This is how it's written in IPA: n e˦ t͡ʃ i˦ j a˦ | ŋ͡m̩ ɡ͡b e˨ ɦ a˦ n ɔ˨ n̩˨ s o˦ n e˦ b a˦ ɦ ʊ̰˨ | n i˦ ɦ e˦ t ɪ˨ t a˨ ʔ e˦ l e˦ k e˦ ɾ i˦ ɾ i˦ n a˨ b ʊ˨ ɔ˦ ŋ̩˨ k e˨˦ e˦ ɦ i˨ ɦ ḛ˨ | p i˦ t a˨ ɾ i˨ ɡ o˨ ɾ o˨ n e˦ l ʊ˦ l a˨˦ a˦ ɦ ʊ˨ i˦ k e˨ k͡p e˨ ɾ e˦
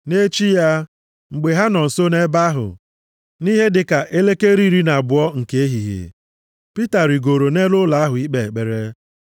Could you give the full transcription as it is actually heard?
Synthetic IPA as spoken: n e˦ t͡ʃ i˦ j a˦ | ŋ͡m̩ ɡ͡b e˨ ɦ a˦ n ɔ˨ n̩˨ s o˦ n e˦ b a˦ ɦ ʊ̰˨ | n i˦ ɦ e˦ d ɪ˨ k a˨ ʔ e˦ l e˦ k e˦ ɾ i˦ ɾ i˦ n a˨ b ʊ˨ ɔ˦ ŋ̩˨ k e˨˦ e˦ ɦ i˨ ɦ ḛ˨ | p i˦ t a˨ ɾ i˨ ɡ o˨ ɾ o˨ n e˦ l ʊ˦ l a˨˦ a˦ ɦ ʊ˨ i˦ k͡p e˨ k͡p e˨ ɾ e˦